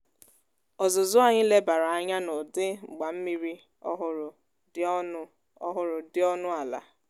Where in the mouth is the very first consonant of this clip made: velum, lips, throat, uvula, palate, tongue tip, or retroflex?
tongue tip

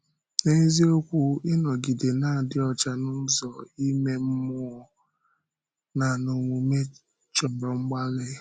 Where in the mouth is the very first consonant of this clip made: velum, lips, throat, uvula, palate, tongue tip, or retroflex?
tongue tip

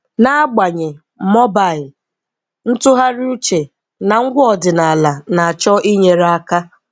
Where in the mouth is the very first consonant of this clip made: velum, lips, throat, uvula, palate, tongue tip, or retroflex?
tongue tip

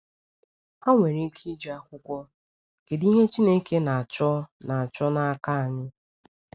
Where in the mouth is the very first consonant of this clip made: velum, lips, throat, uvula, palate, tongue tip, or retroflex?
velum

